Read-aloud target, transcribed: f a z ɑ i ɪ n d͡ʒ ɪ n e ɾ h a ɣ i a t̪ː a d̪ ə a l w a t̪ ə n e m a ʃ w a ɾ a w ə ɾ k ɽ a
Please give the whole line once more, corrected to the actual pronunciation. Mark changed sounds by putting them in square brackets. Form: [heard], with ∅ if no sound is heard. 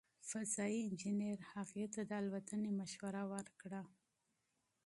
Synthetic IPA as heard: f a z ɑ i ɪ n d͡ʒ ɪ n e ɾ h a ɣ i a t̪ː a d̪ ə a l w a t̪ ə n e m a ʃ w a ɾ a w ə ɾ k ɽ a